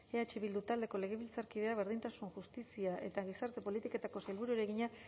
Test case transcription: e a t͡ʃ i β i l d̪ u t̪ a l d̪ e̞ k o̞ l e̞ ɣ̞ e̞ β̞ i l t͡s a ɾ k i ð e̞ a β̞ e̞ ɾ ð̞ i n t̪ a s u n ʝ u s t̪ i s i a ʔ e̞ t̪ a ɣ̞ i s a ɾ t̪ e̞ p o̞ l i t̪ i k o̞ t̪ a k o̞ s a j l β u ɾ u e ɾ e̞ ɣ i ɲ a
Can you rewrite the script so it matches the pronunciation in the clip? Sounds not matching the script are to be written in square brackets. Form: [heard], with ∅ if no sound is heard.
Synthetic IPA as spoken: e a t͡ʃ i β i l d̪ u t̪ a l d̪ e̞ k o̞ l e̞ ɣ̞ e̞ β̞ i l t͡s a ɾ k i ð e̞ a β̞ e̞ ɾ ð̞ i n t̪ a s u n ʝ u s t̪ i s i a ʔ e̞ t̪ a ɣ̞ i s a ɾ t̪ e̞ p o̞ l i t̪ i k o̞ t̪ a k o̞ s a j l β u ɾ u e ɾ e̞ ɣ i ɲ a